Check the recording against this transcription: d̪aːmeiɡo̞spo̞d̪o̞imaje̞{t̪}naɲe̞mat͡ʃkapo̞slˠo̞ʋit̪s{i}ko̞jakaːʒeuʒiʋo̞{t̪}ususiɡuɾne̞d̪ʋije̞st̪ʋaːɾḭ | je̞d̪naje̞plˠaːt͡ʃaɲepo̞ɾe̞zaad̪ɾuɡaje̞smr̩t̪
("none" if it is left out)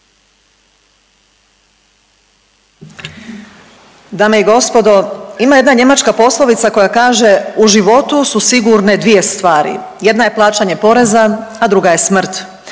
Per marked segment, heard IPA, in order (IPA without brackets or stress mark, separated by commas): d̪, a, t̪